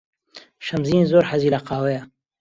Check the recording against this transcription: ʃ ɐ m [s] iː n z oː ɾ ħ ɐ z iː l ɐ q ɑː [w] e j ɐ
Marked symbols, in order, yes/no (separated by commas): no, yes